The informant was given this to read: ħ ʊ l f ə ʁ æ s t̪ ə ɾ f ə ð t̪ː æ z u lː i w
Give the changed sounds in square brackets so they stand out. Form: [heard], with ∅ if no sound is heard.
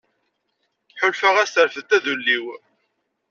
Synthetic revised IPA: ħ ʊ l f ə ʁ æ s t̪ ə ɾ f ə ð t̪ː æ [ð] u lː i w